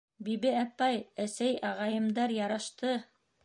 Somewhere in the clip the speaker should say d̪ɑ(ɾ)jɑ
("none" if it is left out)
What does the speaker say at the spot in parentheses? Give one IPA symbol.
ɾ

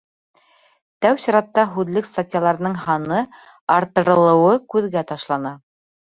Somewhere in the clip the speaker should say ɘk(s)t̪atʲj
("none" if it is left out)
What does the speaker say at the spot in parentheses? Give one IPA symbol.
s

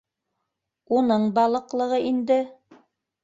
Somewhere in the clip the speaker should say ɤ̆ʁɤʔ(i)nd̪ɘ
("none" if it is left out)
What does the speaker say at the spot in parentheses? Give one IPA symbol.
i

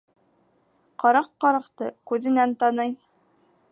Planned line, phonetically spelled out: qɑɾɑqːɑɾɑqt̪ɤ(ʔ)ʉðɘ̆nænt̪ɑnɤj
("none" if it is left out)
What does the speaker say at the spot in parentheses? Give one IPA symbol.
k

